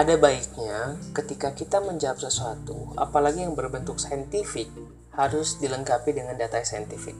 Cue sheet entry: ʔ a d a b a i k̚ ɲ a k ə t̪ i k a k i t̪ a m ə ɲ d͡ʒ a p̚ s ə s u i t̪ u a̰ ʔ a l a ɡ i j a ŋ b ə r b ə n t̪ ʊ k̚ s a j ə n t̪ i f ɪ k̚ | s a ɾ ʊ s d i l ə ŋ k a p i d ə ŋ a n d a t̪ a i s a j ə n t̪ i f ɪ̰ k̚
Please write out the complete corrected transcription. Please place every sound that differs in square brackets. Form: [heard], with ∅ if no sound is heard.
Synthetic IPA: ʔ a d a b a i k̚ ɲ a k ə t̪ i k a k i t̪ a m ə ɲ d͡ʒ a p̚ s ə s u [a] t̪ u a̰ [p] a l a ɡ i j a ŋ b ə r b ə n t̪ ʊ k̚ s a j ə n t̪ i f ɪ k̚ | [h] a ɾ ʊ s d i l ə ŋ k a p i d ə ŋ a n d a t̪ a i s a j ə n t̪ i f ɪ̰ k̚